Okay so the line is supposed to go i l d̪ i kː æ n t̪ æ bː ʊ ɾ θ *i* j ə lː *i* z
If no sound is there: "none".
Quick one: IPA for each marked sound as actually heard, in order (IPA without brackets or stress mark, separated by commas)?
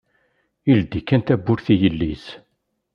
i, i